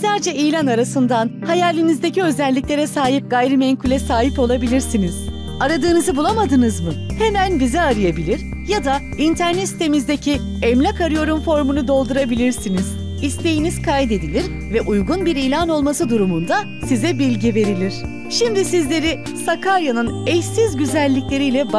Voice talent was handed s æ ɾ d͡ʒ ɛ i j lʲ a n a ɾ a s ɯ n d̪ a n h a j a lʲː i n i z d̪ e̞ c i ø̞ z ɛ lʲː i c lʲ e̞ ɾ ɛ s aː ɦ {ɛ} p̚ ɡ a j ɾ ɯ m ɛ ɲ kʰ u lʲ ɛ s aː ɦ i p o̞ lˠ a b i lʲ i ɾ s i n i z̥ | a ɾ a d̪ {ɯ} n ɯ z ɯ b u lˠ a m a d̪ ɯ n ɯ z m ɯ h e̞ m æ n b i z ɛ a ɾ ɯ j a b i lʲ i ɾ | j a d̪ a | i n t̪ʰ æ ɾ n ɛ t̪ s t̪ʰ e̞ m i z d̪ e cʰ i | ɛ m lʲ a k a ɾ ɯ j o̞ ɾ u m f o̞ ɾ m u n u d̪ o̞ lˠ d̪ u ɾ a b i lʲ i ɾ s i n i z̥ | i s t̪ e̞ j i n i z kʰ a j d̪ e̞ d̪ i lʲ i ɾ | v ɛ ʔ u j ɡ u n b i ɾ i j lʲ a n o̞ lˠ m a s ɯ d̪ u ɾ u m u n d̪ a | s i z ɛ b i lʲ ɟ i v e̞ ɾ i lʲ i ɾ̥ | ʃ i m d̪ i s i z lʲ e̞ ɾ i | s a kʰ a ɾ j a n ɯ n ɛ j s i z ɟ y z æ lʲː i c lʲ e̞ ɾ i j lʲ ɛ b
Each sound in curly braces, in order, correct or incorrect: incorrect, incorrect

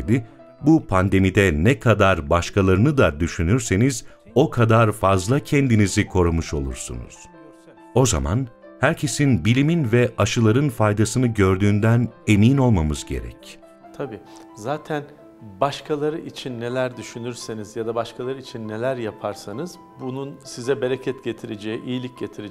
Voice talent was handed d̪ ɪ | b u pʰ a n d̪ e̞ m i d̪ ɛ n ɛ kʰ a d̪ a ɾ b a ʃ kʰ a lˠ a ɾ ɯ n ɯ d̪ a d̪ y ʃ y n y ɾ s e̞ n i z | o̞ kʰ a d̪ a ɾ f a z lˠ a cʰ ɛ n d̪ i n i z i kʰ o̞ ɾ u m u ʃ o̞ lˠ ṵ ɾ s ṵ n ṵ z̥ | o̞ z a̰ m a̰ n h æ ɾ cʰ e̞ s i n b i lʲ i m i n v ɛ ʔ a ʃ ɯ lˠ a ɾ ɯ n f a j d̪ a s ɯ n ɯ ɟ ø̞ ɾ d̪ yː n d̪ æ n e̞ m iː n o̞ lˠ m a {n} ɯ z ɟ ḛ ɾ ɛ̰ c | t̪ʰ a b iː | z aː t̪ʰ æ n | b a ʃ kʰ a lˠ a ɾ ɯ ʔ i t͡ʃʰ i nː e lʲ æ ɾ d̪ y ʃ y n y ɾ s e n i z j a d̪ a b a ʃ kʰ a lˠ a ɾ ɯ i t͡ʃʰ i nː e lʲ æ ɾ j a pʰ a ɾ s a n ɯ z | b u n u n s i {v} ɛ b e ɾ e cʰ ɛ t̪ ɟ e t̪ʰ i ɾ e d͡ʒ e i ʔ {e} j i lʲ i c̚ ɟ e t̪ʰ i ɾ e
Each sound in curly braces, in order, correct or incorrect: incorrect, incorrect, incorrect

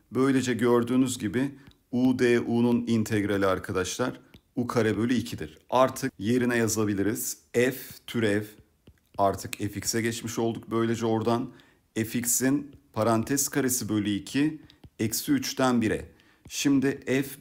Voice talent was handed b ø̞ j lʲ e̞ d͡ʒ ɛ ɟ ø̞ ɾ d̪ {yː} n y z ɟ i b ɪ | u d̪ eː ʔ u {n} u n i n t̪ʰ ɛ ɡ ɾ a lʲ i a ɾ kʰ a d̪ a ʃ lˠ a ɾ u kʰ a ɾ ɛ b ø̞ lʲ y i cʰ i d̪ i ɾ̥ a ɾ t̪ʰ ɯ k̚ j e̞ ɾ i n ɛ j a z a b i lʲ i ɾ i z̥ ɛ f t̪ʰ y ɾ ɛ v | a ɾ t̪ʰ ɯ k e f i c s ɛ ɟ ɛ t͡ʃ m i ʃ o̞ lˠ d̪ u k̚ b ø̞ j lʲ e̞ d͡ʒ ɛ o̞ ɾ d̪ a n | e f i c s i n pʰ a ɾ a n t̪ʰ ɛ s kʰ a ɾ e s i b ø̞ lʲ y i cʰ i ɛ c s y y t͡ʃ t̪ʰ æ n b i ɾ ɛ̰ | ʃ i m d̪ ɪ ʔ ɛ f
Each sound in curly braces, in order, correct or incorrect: correct, correct

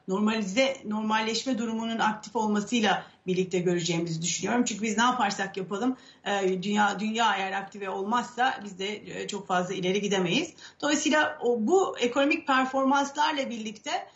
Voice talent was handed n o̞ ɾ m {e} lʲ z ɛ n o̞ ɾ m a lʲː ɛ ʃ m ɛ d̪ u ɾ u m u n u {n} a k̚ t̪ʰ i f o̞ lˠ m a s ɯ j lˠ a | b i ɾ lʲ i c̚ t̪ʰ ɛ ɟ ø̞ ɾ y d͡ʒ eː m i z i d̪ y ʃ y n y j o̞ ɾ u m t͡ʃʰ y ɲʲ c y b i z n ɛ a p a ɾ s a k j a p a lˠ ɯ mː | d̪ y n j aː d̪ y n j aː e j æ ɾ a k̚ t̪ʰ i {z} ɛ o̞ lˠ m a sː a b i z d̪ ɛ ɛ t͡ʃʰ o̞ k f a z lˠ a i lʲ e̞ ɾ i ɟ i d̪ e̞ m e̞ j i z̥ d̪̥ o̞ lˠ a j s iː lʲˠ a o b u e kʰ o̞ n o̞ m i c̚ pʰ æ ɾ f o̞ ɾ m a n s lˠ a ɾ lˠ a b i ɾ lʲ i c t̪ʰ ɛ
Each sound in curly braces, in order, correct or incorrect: incorrect, correct, incorrect

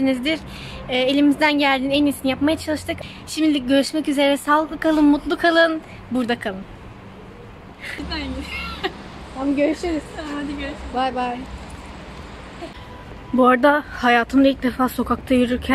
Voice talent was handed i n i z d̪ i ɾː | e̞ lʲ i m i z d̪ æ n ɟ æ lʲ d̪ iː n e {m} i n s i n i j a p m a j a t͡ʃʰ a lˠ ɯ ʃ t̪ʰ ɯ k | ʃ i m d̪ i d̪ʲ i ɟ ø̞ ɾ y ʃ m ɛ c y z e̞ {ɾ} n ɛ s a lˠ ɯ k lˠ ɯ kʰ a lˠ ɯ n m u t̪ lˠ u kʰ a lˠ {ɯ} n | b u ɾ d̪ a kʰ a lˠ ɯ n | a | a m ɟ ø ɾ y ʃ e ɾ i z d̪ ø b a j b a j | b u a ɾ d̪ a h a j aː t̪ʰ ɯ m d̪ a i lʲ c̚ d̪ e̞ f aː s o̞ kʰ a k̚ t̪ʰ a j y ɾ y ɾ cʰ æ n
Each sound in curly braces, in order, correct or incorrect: incorrect, correct, correct

